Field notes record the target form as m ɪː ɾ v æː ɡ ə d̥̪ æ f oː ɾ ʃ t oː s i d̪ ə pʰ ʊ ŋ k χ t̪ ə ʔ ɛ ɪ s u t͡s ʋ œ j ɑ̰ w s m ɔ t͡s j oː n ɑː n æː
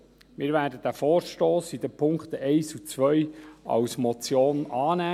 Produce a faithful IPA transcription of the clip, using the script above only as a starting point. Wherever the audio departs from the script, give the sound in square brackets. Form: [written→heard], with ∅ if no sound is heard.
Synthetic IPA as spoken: m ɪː ɾ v æː [ɡ→d] ə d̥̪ æ f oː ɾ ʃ t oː s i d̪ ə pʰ ʊ ŋ k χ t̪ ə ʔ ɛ ɪ s u t͡s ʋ œ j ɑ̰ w s m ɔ t͡s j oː n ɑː n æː